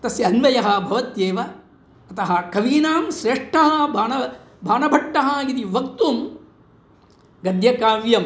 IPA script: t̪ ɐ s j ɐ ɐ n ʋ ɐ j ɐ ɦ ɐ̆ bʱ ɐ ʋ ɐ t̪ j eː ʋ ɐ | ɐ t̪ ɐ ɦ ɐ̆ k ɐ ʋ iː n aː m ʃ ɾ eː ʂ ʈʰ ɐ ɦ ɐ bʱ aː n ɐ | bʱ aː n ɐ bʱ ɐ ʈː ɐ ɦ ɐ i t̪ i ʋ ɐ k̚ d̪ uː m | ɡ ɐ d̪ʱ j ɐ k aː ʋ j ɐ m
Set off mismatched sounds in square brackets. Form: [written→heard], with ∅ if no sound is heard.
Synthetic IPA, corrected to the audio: t̪ ɐ s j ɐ ɐ n ʋ ɐ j ɐ ɦ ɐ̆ bʱ ɐ ʋ ɐ t̪ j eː ʋ ɐ | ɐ t̪ ɐ ɦ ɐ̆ k ɐ ʋ iː n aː m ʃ ɾ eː ʂ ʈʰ ɐ ɦ ɐ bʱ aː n ɐ | bʱ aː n ɐ bʱ ɐ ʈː ɐ ɦ ɐ i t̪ i ʋ ɐ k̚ [d̪→t̪] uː m | ɡ ɐ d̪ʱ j ɐ k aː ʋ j ɐ m